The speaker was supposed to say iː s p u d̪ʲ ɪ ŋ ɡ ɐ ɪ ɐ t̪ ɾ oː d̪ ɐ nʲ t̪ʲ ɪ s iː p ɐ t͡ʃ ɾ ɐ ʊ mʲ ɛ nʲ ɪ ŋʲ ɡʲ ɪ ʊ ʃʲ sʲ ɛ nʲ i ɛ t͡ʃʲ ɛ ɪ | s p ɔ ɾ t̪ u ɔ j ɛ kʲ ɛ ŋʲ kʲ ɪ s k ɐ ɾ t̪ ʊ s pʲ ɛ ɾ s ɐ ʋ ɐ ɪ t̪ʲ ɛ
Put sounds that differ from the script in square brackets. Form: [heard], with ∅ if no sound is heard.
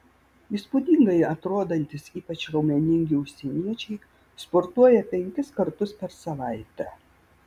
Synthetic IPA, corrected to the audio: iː s p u d̪ʲ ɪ ŋ ɡ ɐ ɪ ɐ t̪ ɾ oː d̪ ɐ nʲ t̪ʲ ɪ s iː p ɐ t͡ʃ ɾ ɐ ʊ mʲ ɛ nʲ ɪ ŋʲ ɡʲ ɪ ʊ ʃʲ sʲ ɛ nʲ i ɛ t͡ʃʲ ɛ ɪ | s p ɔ ɾ t̪ u ɔ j ɛ [pʲ] ɛ ŋʲ kʲ ɪ s k ɐ ɾ t̪ ʊ s pʲ ɛ ɾ s ɐ ʋ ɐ ɪ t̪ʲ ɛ